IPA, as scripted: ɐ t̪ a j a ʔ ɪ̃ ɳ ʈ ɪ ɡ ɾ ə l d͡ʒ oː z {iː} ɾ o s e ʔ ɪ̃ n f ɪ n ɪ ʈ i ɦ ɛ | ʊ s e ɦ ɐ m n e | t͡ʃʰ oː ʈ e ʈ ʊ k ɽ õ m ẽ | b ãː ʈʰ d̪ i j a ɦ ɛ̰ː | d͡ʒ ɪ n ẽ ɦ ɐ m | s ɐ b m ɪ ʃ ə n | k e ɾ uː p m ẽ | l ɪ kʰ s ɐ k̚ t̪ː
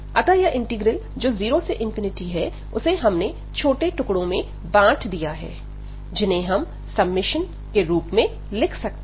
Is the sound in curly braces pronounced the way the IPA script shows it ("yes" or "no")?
yes